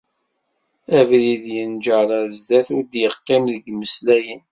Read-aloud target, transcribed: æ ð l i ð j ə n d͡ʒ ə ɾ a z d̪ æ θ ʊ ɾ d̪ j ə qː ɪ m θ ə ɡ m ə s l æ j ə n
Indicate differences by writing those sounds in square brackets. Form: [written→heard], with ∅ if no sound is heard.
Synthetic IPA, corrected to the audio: æ [ð→v] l i ð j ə n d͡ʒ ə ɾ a z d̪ æ θ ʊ ɾ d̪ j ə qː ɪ m [θ→ð] ə ɡ m ə s l æ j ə n